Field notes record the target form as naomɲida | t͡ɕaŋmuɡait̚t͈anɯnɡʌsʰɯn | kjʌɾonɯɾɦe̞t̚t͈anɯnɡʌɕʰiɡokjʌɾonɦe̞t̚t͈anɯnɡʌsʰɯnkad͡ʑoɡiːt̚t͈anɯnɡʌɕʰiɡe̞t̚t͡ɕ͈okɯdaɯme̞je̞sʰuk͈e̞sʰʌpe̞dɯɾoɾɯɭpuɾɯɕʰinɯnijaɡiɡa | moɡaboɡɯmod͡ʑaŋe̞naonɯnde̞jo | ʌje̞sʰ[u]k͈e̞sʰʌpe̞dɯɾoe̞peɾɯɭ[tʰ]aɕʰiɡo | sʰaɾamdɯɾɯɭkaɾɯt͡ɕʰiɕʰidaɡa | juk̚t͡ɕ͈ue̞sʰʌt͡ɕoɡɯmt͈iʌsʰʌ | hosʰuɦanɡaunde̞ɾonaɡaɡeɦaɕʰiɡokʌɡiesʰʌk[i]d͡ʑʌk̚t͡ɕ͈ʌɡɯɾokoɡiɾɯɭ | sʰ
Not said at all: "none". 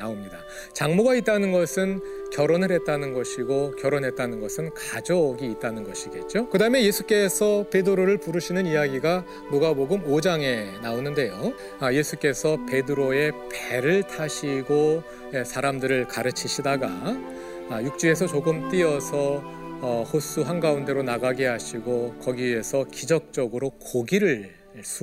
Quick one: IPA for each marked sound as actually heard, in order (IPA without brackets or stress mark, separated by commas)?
u, tʰ, i